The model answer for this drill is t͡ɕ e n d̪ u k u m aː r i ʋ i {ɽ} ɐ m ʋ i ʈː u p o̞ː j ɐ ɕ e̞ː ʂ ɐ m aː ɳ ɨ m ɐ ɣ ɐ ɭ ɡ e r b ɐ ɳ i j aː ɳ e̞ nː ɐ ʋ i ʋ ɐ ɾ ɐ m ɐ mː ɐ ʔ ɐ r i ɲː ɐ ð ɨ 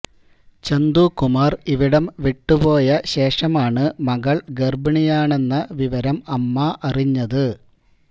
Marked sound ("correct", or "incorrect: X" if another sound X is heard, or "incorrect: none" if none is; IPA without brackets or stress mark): correct